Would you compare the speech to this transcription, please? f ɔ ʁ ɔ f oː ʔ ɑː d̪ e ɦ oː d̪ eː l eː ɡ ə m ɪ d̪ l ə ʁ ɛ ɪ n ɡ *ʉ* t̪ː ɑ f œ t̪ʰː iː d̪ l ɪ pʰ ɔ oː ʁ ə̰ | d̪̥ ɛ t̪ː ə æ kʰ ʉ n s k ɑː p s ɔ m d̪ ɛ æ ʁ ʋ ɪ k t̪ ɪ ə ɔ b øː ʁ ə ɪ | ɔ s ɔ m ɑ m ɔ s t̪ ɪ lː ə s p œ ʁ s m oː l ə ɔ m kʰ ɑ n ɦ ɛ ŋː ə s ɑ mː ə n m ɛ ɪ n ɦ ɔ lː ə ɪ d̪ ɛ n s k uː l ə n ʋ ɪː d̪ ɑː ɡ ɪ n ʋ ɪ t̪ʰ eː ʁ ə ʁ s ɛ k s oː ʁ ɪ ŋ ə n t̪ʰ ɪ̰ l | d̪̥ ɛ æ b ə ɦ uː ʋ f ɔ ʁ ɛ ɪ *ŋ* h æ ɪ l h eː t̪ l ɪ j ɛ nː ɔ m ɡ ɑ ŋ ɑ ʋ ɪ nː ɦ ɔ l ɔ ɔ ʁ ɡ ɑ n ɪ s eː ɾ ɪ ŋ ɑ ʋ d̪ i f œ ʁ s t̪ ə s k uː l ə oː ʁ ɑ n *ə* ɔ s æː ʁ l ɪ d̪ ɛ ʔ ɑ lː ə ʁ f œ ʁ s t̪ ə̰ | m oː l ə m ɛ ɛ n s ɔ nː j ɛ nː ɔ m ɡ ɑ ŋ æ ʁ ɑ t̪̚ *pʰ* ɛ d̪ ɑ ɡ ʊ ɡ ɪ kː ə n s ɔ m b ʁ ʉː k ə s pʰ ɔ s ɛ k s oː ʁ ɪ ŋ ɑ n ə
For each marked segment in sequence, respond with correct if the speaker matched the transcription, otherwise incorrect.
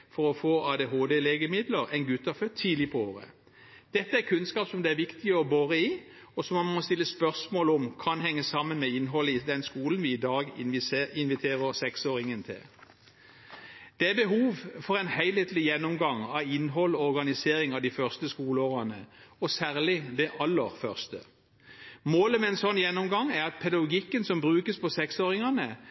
correct, incorrect, correct, correct

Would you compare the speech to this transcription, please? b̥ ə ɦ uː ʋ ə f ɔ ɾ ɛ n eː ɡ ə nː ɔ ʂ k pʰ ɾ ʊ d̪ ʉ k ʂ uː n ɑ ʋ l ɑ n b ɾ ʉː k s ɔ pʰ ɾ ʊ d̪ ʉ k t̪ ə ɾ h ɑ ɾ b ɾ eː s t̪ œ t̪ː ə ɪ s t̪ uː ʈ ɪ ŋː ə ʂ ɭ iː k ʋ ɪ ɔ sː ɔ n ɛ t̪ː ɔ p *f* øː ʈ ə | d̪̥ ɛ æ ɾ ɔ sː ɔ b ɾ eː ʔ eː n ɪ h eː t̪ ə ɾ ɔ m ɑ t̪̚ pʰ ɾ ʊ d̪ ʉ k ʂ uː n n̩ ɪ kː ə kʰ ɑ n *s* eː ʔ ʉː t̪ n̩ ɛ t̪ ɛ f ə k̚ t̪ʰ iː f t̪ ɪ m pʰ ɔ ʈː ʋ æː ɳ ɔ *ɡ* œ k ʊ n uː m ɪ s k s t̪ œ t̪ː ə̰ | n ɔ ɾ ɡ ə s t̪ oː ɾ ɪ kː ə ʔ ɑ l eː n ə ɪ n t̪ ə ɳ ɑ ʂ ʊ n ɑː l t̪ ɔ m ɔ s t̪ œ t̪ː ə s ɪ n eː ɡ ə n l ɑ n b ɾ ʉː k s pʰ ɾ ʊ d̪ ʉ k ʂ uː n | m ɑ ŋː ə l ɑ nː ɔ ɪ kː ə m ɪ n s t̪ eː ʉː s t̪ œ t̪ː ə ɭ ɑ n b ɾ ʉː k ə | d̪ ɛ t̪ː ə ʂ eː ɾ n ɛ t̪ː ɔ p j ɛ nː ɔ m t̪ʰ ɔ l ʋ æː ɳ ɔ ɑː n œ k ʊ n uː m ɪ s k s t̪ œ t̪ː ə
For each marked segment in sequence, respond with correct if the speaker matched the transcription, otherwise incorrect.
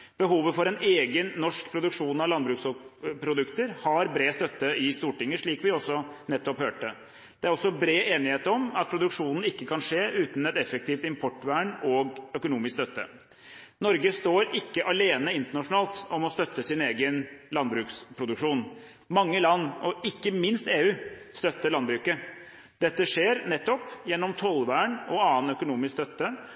incorrect, incorrect, correct

